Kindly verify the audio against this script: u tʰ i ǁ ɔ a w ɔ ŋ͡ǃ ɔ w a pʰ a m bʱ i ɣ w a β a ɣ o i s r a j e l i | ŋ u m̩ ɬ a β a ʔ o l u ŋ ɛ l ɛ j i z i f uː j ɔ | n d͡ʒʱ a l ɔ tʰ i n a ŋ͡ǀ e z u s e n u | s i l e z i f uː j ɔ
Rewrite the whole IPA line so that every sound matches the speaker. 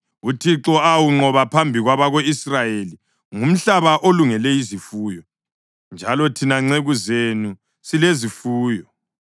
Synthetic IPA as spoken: u tʰ i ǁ ɔ a w u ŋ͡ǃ ɔ β a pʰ a m bʱ i ɣ w a β a ɣ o i s r a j e l i | ŋ u m̩ ɬ a β a ʔ o l u ŋ ɛ l ɛ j i z i f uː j ɔ | n d͡ʒʱ a l ɔ tʰ i n a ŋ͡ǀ e ɣ u z e n u | s i l e z i f uː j ɔ